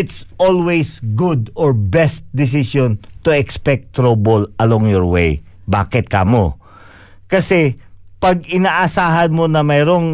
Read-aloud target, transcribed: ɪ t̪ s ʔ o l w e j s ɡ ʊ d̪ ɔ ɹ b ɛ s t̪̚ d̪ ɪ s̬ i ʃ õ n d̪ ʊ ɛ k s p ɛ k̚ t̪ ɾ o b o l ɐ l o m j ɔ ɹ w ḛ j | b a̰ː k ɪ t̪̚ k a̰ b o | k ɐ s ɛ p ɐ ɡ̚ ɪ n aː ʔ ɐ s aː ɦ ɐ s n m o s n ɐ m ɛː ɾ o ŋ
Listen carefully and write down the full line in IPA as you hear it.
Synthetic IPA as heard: ɪ t̪ s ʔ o l w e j s ɡ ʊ d̪ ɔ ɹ b ɛ s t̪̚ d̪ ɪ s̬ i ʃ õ n t̪ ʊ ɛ k s p ɛ k̚ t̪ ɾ o b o l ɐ l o ŋ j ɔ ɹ w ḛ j | b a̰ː k ɪ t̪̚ k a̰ m o | k ɐ s ɛ p ɐ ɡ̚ ɪ n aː ʔ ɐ s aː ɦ ɐ n m o n ɐ m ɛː ɾ o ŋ